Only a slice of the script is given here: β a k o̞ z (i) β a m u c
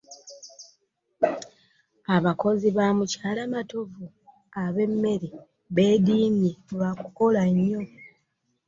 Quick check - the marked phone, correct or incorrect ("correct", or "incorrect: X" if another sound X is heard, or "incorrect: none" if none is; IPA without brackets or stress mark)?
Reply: correct